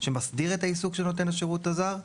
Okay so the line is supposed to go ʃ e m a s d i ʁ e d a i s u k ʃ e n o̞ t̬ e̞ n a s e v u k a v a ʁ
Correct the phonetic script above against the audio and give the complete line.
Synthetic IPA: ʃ e m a s d i ʁ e t a i s u k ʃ e n o̞ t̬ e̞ n a ʃ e ʁ u t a z a ʁ